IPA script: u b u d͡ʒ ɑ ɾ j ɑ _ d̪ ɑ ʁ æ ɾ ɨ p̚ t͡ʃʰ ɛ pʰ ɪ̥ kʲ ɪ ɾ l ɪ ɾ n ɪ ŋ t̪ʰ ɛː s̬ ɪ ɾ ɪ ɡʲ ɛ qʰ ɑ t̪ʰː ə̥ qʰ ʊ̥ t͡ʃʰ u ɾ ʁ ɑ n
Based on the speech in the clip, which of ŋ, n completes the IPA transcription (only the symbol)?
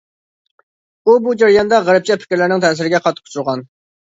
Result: n